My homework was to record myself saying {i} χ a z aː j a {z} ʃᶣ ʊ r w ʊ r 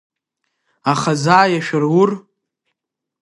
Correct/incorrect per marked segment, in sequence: incorrect: a, incorrect: none

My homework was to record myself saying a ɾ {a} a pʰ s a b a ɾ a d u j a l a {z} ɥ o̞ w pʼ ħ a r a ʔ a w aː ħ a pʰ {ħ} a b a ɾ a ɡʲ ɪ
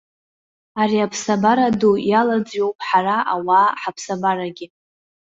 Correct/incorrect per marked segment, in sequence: incorrect: i, incorrect: d͡z, incorrect: s

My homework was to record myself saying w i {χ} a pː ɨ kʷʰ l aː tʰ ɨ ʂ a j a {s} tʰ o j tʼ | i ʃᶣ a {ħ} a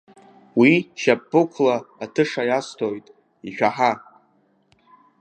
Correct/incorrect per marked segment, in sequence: incorrect: ʃ, correct, correct

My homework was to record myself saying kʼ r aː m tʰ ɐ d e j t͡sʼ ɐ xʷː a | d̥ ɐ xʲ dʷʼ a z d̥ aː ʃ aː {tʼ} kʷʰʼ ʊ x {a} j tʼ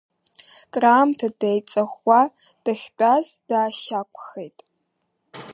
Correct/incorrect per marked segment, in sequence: incorrect: none, incorrect: e

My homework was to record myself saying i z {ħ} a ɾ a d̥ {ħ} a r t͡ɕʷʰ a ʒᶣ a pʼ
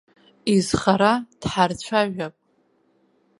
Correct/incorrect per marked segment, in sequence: incorrect: χ, correct

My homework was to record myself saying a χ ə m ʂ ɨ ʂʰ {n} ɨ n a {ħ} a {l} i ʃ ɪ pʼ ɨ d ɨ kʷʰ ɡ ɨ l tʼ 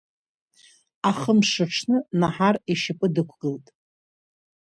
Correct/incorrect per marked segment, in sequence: correct, correct, incorrect: r

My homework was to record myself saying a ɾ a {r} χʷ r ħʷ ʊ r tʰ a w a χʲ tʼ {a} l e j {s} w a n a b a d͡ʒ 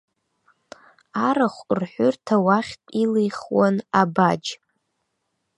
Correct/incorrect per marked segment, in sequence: incorrect: none, incorrect: i, incorrect: χ

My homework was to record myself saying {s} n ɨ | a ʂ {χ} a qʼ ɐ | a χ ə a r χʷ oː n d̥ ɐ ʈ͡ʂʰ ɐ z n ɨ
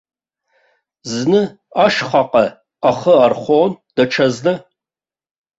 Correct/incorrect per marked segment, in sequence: incorrect: z, correct

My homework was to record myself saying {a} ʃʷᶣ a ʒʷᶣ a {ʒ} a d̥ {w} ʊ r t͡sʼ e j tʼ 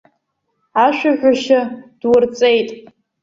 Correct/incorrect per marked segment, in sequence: correct, incorrect: ʃ, correct

